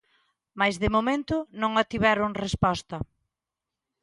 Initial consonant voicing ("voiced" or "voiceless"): voiced